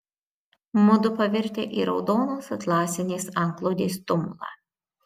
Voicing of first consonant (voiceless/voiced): voiced